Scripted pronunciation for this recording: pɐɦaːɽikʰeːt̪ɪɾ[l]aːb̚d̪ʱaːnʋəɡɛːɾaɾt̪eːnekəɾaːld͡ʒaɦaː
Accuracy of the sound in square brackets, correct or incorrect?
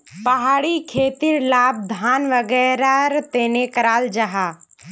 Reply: correct